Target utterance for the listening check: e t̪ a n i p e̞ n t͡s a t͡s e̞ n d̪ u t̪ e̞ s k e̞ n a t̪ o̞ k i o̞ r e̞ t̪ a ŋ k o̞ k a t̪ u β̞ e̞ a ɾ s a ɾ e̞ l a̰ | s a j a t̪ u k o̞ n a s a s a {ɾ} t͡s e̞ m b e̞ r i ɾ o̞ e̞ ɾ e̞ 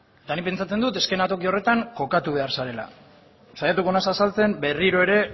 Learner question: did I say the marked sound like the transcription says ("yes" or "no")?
no